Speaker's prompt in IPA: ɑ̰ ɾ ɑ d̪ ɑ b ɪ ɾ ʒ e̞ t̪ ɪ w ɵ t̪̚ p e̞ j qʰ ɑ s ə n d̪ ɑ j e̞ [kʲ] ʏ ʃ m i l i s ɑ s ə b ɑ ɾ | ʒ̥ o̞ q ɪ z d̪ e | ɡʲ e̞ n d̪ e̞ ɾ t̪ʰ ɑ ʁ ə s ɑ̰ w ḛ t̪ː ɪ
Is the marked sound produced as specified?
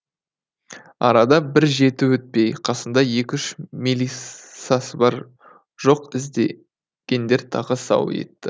yes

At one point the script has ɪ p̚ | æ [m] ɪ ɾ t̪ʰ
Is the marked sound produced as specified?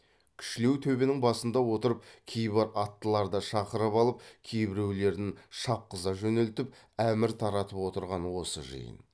yes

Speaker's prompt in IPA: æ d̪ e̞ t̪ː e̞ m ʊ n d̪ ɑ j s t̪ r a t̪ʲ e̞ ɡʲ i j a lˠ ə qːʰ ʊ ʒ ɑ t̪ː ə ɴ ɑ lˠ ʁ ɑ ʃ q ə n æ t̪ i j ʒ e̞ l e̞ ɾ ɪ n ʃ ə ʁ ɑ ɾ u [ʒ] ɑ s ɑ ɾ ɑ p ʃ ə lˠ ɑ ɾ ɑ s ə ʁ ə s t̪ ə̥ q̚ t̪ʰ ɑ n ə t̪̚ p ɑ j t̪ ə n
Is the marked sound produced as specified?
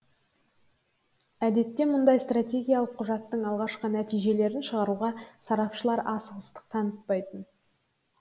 no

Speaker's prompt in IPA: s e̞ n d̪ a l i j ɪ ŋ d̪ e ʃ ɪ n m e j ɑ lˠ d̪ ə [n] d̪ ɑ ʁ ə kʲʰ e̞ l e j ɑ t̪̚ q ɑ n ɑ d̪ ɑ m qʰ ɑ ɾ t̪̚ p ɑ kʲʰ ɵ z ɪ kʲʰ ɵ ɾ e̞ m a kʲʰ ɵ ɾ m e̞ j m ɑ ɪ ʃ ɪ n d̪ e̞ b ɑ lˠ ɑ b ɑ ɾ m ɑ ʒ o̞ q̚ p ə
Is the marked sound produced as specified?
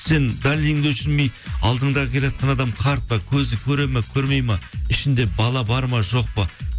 no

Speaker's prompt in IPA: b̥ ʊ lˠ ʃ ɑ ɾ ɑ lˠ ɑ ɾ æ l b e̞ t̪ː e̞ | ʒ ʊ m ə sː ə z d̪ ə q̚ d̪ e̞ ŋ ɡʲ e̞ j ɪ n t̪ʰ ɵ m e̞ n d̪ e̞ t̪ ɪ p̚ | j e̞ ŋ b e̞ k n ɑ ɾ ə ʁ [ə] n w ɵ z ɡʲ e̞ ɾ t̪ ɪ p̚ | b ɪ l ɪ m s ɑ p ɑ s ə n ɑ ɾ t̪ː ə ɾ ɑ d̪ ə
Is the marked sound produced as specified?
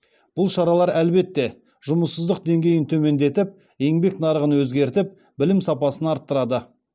yes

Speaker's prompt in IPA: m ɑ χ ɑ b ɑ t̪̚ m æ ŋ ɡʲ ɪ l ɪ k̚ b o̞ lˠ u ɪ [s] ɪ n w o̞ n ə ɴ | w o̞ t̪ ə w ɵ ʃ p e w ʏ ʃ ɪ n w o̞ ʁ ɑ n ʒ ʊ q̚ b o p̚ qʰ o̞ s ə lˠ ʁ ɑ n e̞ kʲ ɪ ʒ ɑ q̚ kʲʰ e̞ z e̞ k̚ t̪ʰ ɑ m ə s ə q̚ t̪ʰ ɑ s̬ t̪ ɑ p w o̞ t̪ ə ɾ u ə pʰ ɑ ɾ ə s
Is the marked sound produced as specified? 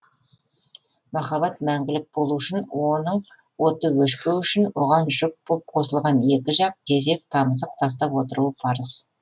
no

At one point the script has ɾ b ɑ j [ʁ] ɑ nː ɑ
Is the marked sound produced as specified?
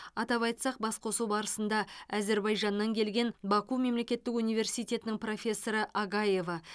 no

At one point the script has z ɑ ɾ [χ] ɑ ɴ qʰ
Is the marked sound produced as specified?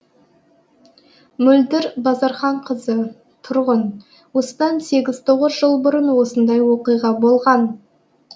yes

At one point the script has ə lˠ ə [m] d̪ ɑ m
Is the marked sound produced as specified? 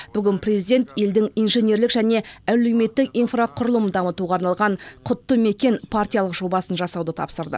yes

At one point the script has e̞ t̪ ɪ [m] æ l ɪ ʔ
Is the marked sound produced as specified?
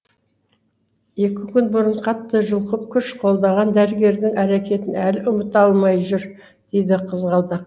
no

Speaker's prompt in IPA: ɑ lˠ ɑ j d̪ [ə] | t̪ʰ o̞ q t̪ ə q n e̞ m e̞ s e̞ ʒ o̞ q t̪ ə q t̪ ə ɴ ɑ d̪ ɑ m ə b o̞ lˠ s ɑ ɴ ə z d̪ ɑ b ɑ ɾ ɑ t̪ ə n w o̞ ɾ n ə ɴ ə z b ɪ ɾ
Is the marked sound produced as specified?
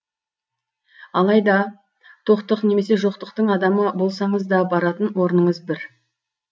no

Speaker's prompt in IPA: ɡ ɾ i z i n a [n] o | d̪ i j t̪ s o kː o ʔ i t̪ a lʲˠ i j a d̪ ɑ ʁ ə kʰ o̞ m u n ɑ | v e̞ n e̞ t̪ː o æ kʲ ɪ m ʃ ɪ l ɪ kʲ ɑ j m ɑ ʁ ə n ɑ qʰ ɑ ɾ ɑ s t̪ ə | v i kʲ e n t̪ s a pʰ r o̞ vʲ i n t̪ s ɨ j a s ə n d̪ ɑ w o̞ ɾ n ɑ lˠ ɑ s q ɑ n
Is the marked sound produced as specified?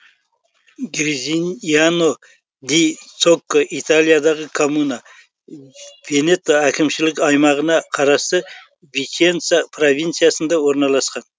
yes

